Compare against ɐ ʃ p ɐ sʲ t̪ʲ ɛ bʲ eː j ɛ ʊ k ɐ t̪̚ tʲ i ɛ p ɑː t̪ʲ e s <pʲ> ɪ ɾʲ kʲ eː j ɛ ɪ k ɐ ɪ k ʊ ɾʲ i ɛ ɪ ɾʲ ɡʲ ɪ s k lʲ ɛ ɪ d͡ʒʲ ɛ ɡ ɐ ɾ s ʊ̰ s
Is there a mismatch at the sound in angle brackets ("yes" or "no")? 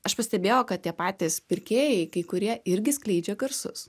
no